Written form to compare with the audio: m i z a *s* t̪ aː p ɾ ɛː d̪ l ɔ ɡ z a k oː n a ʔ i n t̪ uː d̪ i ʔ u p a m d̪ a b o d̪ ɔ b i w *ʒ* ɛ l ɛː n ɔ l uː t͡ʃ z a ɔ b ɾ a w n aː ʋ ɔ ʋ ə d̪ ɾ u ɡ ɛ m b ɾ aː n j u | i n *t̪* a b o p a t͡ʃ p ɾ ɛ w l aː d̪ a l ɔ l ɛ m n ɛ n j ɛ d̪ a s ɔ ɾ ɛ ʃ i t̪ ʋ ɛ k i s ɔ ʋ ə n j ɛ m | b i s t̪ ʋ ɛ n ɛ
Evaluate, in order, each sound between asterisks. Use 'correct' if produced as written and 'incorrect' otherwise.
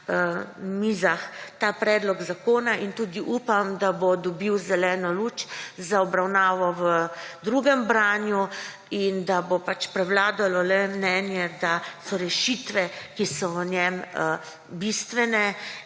incorrect, incorrect, incorrect

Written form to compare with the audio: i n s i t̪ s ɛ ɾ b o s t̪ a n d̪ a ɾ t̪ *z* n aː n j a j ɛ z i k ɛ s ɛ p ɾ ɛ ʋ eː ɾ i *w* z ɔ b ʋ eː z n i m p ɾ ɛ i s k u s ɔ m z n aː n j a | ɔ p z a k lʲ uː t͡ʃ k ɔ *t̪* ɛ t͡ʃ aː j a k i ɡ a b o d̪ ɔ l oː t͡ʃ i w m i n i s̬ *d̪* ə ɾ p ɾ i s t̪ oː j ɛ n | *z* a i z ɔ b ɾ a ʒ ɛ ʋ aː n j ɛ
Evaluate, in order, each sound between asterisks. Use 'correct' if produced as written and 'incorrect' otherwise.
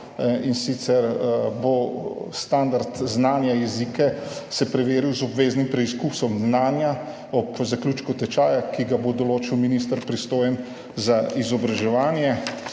correct, correct, correct, incorrect, correct

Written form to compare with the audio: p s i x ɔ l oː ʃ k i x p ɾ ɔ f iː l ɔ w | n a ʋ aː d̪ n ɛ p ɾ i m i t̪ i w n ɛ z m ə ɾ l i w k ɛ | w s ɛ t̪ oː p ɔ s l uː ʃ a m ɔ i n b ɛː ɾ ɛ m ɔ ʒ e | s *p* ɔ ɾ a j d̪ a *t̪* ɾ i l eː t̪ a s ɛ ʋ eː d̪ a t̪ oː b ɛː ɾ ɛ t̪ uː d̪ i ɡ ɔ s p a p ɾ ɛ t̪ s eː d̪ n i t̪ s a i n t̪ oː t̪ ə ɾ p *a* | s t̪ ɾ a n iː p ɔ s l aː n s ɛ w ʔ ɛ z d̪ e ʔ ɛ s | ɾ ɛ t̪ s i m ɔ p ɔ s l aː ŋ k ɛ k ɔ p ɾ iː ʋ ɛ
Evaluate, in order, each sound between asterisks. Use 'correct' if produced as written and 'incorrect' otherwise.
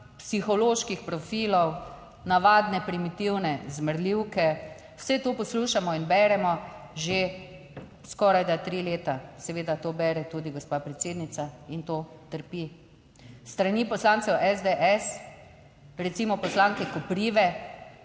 incorrect, correct, incorrect

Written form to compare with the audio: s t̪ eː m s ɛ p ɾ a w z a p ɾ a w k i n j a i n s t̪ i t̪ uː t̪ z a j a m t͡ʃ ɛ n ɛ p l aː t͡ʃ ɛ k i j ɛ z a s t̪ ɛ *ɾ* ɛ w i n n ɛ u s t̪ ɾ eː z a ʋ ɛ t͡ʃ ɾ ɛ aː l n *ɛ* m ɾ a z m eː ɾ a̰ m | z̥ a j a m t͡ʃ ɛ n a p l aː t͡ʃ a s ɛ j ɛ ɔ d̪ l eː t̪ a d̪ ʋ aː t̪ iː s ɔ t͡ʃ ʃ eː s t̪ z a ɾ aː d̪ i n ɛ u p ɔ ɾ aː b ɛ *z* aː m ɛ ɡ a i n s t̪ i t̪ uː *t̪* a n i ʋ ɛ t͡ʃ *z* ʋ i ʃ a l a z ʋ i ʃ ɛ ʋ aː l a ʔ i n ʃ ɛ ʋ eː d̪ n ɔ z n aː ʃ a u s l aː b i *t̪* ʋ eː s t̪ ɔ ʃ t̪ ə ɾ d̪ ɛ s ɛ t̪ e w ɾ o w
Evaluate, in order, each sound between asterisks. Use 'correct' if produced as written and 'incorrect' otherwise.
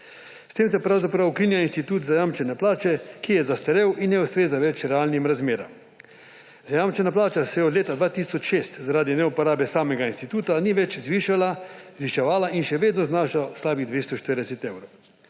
correct, incorrect, incorrect, correct, correct, incorrect

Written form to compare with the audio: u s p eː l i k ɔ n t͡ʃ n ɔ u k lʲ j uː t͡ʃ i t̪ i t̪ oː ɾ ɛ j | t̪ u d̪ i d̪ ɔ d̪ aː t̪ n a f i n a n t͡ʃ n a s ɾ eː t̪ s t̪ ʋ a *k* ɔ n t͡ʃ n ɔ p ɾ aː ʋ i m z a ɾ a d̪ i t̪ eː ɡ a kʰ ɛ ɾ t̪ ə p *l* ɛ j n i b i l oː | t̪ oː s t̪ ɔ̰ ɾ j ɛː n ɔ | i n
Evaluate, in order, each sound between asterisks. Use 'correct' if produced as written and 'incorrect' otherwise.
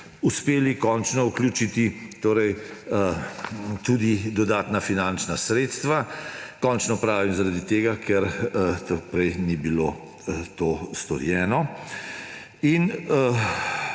correct, incorrect

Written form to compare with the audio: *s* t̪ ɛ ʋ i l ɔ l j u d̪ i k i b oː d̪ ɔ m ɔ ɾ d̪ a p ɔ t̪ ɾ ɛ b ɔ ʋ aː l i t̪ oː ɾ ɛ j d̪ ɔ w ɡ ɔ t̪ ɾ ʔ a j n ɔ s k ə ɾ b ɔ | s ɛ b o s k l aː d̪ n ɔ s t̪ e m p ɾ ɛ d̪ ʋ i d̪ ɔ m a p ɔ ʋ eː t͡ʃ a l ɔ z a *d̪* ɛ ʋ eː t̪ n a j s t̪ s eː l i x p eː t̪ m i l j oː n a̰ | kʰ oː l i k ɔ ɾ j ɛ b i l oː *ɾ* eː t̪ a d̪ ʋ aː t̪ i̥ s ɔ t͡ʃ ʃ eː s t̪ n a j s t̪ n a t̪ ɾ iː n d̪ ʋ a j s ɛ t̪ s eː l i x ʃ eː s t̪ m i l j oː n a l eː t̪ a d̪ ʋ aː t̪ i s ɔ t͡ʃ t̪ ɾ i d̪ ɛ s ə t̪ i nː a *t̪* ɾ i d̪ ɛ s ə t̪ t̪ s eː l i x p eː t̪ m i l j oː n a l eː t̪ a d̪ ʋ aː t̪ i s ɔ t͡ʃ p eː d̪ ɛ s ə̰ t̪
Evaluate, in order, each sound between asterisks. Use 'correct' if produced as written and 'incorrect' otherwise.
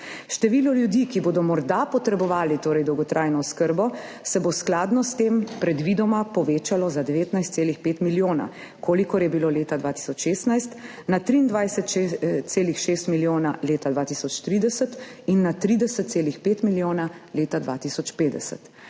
incorrect, correct, incorrect, correct

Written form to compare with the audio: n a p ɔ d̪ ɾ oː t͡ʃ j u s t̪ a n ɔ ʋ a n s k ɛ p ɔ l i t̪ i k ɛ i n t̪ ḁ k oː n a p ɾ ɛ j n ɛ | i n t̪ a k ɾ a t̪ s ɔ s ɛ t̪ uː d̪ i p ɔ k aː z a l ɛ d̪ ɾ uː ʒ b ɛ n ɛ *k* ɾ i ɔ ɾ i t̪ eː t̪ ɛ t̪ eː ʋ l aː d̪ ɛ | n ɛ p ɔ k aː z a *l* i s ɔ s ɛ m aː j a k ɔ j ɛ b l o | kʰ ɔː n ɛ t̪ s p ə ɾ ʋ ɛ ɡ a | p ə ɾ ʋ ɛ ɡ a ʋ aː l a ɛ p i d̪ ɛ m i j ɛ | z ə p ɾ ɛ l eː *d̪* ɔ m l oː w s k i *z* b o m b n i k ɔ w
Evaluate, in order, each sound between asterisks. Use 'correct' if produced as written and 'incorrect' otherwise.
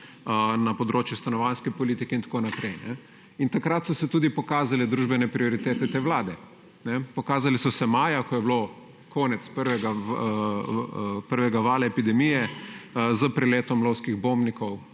incorrect, correct, incorrect, incorrect

